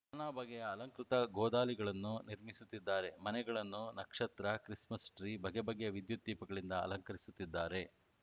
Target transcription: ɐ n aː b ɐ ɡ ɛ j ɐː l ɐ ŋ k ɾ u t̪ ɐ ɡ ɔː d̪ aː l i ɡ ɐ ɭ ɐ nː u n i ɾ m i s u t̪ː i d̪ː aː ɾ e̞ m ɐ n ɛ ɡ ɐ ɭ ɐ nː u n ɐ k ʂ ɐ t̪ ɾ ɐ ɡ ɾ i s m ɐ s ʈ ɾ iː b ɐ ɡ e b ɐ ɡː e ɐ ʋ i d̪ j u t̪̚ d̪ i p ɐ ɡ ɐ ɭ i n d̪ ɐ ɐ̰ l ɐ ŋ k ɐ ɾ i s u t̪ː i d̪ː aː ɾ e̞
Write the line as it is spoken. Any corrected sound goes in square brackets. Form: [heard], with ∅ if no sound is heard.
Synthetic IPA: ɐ n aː b ɐ ɡ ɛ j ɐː l ɐ ŋ k ɾ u t̪ ɐ ɡ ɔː d̪ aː l i ɡ ɐ ɭ ɐ nː u n i ɾ m i s u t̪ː i d̪ː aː ɾ e̞ m ɐ n ɛ ɡ ɐ ɭ ɐ nː u n ɐ k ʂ ɐ t̪ ɾ ɐ [k] ɾ i s m ɐ s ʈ ɾ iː b ɐ ɡ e b ɐ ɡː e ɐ ʋ i d̪ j u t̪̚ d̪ [iː] p ɐ ɡ ɐ ɭ i n d̪ ɐ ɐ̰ l ɐ ŋ k ɐ ɾ i s u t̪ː i d̪ː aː ɾ e̞